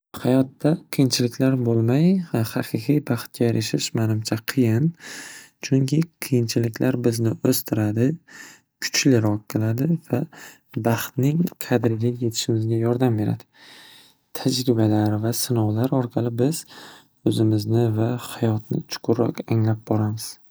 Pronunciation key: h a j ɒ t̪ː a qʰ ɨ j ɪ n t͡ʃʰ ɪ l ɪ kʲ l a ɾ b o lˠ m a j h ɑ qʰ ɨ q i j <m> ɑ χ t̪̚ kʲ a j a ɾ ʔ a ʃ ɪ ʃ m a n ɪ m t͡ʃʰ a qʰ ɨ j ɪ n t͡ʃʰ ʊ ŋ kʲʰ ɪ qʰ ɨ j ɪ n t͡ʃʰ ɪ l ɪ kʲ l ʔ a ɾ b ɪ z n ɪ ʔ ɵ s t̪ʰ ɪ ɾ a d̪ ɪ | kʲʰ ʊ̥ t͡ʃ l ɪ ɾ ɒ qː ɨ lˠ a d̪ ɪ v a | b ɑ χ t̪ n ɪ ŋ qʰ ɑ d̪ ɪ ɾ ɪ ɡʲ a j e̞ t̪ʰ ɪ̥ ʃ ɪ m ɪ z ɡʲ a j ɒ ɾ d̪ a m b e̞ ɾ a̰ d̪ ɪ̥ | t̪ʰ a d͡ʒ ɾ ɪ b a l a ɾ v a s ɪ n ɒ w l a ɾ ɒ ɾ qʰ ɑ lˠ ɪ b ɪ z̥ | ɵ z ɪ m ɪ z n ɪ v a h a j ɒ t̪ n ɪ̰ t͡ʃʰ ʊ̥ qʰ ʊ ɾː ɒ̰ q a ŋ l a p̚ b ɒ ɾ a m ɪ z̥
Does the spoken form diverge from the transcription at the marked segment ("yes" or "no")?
yes